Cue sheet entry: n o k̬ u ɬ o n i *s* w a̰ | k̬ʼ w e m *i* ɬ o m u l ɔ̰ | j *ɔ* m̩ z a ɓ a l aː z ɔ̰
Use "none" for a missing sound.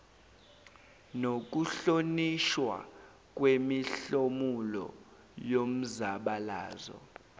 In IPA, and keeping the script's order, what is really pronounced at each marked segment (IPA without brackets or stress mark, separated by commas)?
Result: ʃ, i, o